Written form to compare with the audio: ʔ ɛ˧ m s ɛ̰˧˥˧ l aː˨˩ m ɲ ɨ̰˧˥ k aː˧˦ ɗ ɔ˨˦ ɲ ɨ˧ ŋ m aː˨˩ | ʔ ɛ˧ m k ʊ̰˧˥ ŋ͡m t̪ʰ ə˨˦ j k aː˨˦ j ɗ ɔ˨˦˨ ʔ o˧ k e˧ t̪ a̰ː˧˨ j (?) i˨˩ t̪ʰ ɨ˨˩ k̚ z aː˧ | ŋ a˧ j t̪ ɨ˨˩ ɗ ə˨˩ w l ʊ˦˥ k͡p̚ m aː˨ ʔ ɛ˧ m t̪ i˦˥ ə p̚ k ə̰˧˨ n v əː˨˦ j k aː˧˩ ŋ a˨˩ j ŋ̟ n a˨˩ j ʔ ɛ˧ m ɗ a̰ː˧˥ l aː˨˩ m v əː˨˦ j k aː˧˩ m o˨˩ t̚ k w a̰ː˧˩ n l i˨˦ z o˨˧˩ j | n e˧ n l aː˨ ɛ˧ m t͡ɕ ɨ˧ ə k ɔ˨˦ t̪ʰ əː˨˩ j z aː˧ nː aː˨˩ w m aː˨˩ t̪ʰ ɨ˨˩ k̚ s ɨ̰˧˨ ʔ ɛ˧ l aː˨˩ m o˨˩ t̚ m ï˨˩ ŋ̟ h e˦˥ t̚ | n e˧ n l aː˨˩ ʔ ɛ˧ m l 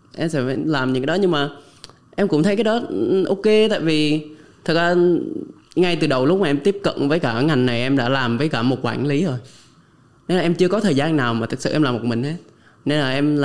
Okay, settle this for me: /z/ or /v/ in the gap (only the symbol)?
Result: v